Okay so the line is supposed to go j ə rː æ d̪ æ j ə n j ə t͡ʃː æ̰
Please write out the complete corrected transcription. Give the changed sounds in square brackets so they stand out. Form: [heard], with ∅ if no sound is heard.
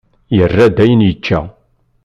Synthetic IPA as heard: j ə rː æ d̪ æ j ə n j ə t͡ʃː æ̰